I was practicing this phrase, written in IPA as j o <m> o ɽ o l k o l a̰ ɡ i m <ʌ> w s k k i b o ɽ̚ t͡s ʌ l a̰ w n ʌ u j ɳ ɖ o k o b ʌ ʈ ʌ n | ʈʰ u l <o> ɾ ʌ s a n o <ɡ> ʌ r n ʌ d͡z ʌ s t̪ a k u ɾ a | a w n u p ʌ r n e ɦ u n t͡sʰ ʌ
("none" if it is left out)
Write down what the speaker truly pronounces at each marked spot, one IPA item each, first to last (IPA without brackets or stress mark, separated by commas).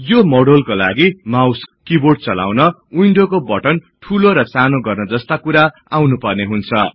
m, a, o, ɡ